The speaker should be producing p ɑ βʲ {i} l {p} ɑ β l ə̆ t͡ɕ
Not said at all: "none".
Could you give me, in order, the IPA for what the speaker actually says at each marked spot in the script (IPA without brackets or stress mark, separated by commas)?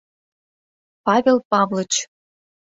e, p